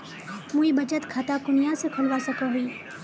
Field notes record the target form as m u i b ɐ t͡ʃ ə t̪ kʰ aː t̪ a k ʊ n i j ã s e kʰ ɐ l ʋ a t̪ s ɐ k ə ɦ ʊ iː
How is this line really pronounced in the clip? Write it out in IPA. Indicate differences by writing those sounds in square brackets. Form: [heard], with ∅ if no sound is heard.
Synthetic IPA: m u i b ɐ t͡ʃ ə t̪ kʰ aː t̪ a k ʊ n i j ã s e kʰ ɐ l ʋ a [∅] s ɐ k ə ɦ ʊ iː